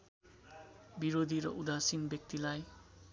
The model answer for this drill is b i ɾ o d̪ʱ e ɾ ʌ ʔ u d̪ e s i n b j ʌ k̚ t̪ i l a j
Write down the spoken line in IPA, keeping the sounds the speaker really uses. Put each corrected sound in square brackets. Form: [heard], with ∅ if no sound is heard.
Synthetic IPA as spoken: b i ɾ o d̪ʱ [i] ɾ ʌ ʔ u d̪ [a] s i n b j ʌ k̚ t̪ i l a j

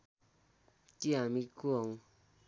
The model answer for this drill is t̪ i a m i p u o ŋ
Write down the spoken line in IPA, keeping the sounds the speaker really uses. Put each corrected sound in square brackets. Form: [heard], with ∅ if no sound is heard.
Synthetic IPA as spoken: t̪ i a m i [k] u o ŋ

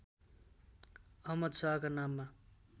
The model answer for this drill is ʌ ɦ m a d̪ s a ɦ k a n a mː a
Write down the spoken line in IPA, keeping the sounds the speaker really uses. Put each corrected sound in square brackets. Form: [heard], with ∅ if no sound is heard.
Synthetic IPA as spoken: ʌ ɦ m [ʌ] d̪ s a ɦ k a n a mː a

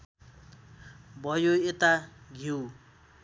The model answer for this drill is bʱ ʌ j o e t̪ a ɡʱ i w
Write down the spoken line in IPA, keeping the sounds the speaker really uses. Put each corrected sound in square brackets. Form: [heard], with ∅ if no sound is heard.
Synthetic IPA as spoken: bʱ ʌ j o e t̪ a ɡʱ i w

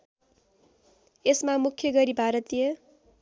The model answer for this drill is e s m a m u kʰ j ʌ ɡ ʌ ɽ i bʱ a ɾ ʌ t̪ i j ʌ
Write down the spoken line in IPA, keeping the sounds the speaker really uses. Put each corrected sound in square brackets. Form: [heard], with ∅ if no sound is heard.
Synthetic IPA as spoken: e s m a m u kʰ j ʌ ɡ ʌ [ɾ] i bʱ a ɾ ʌ t̪ i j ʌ

